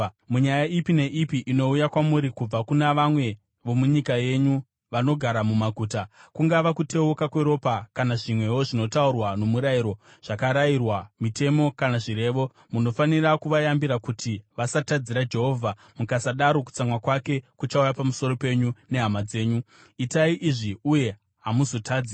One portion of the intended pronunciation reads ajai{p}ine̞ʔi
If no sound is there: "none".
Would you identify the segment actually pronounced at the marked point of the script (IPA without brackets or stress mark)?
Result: p